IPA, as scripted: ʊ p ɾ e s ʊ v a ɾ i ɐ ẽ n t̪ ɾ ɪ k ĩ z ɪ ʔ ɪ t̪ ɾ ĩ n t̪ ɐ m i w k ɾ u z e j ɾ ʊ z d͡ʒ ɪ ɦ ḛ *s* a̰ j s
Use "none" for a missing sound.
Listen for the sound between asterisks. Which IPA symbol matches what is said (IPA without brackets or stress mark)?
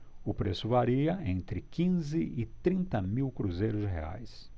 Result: none